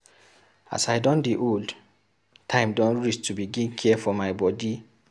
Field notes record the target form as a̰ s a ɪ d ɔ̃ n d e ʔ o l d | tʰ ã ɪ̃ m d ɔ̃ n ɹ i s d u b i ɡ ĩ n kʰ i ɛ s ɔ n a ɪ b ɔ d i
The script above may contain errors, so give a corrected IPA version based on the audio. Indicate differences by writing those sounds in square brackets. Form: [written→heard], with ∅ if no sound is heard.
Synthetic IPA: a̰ s a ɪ d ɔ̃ n d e ʔ o l d | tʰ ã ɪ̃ m d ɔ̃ n ɹ i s [d→t] u b i ɡ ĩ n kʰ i ɛ [s→f] ɔ [n→m] a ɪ b ɔ d i